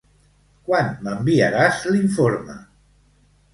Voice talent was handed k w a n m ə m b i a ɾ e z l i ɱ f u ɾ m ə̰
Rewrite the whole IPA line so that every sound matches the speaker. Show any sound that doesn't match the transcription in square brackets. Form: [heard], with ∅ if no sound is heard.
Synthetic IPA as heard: k w a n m ə m b i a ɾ [a] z l i ɱ f [o] ɾ m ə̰